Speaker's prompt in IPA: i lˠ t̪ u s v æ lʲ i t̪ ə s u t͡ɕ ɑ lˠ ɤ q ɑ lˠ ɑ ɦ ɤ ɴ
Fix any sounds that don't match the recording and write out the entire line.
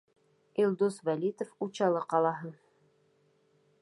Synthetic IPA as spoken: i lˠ d̪ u s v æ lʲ i t̪ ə f u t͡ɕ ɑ lˠ ɤ q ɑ lˠ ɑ ɦ ɤ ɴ